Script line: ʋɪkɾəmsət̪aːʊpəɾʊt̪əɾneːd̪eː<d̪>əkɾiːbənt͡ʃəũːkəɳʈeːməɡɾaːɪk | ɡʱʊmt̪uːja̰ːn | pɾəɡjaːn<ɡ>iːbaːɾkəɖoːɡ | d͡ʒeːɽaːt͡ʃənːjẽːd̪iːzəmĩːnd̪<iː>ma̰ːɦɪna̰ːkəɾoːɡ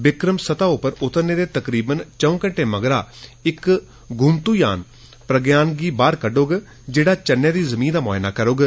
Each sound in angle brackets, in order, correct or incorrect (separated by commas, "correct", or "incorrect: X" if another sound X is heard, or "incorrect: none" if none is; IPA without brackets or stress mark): incorrect: t̪, correct, incorrect: aː